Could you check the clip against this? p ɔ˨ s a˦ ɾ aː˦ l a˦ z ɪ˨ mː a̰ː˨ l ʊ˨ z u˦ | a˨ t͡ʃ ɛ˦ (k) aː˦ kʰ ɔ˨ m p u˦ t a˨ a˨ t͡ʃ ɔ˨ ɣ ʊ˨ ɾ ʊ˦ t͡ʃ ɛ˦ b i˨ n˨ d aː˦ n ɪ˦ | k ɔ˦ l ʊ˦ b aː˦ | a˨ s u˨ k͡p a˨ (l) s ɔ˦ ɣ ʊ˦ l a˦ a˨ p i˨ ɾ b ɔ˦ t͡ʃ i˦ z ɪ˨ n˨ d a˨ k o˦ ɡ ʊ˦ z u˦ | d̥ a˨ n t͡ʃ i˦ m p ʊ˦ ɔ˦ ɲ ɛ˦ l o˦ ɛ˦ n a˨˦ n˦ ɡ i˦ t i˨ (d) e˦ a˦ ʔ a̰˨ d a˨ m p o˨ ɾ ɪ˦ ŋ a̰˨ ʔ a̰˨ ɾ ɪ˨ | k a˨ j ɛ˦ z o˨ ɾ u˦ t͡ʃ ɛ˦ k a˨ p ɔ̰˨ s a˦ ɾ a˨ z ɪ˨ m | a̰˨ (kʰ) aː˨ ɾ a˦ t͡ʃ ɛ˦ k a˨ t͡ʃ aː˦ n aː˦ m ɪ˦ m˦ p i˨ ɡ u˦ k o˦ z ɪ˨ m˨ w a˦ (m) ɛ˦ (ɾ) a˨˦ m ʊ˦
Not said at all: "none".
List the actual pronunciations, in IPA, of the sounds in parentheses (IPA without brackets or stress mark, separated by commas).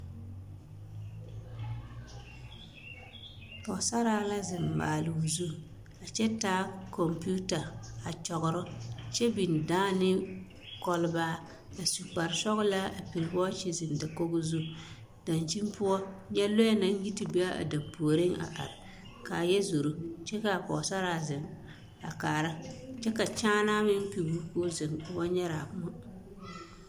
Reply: t, ɾ, b, k, ɲ, ɾ